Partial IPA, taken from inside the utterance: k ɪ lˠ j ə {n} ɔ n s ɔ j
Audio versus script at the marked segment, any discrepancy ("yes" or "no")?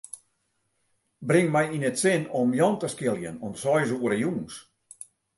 no